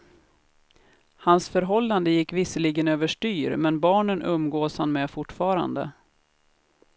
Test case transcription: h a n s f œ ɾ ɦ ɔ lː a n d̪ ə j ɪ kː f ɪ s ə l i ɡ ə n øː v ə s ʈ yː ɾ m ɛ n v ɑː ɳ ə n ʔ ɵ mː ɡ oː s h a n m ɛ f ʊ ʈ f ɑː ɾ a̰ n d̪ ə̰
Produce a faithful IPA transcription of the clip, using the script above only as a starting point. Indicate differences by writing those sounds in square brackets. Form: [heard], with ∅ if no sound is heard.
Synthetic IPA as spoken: h a n s f œ ɾ ɦ ɔ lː a n d̪ ə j ɪ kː [v] ɪ s ə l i ɡ ə n øː v ə [ʂ] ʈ yː ɾ m ɛ n [b] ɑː ɳ ə n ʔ ɵ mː ɡ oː s h a n m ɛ f ʊ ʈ f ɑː ɾ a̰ n d̪ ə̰

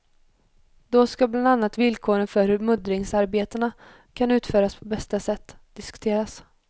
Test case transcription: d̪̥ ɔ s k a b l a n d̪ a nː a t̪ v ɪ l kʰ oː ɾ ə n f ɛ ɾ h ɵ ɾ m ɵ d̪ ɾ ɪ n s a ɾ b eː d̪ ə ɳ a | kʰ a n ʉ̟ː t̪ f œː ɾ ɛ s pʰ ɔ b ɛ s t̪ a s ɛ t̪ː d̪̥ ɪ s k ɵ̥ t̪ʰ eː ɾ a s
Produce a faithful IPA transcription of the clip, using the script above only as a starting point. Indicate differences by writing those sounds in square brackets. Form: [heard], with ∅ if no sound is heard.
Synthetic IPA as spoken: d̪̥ ɔ s k a b l a n d̪ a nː a t̪ v ɪ l kʰ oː ɾ ə n f [œ] ɾ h ɵ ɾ m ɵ d̪ ɾ ɪ [ŋ] s a ɾ b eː [t̪] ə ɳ a | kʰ a n ʉ̟ː t̪ f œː ɾ [a] s pʰ ɔ b ɛ s t̪ a s ɛ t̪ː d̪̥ ɪ s k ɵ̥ t̪ʰ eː ɾ a s

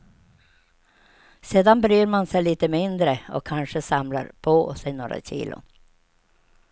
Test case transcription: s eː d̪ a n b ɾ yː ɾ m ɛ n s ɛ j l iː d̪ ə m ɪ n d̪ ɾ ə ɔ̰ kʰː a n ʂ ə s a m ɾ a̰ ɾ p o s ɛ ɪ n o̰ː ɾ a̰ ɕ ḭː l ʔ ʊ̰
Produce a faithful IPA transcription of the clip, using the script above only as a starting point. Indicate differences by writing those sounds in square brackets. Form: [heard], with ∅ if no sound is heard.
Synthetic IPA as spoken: s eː d̪ a n b ɾ yː ɾ m [a] n s ɛ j l iː [t̪] ə m ɪ n d̪ ɾ ə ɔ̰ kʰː a n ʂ ə s a m [l] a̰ ɾ [pʰ] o s ɛ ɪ n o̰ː ɾ a̰ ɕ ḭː l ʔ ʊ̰

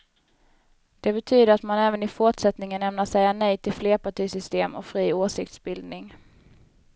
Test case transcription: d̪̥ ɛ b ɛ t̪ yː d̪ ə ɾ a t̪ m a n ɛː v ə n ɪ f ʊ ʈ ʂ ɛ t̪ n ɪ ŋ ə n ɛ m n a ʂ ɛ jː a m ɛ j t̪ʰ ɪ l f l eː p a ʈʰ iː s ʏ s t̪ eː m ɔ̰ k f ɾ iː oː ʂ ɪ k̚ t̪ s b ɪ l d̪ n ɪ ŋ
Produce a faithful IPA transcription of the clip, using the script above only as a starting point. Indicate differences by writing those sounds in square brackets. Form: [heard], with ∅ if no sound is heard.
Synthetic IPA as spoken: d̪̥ ɛ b ɛ [t̪ʰ] yː d̪ ə ɾ a t̪ m a n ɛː v ə n ɪ f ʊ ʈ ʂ ɛ t̪ n ɪ ŋ ə n ɛ m n a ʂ ɛ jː a [n] ɛ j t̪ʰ ɪ l f l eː p a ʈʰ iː s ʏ s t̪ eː m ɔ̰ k f ɾ iː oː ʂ ɪ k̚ t̪ s b ɪ l d̪ n ɪ ŋ

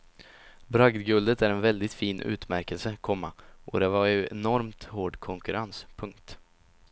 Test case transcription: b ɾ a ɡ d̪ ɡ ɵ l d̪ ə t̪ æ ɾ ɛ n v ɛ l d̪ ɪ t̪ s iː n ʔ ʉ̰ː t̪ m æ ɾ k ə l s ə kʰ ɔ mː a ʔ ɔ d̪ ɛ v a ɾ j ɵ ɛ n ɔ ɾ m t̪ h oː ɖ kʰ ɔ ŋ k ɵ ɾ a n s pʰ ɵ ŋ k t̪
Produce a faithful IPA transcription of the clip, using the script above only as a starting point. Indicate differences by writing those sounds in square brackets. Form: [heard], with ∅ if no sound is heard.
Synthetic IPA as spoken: b ɾ a ɡ d̪ ɡ ɵ l d̪ ə t̪ æ ɾ ɛ n v ɛ l d̪ ɪ t̪ [f] iː n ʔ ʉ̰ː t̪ m æ ɾ k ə l s ə kʰ ɔ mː a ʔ ɔ d̪ ɛ v a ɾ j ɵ ɛ n ɔ ɾ m t̪ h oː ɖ kʰ ɔ ŋ k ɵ ɾ a n s pʰ ɵ ŋ k t̪

